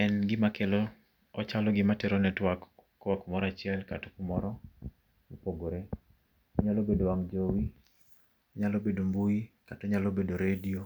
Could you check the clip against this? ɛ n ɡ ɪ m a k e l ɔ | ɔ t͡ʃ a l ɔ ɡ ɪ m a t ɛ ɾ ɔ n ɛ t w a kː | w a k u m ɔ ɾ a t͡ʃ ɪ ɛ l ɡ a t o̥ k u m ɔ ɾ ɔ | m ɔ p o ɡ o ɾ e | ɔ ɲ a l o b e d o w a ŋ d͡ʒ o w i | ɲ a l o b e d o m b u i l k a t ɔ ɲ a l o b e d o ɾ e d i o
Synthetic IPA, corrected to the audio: ɛ n ɡ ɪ m a k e l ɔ | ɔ t͡ʃ a l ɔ ɡ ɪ m a t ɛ ɾ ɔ n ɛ t w a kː | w a k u m ɔ ɾ a t͡ʃ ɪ ɛ l k a t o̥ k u m ɔ ɾ ɔ | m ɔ p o ɡ o ɾ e | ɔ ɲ a l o b e d o w a ŋ d͡ʒ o w i | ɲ a l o b e d o m b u i k a t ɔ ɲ a l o b e d o ɾ e d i o